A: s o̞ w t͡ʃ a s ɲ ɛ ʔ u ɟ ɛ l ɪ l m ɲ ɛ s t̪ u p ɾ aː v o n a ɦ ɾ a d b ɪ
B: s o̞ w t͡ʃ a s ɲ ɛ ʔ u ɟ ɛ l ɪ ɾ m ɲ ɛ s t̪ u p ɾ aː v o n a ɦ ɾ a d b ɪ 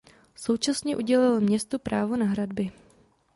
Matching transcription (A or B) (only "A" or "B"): A